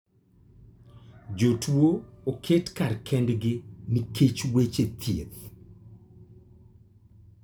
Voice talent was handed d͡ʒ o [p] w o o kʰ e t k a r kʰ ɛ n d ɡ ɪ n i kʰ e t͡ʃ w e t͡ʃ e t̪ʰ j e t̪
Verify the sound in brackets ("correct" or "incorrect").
incorrect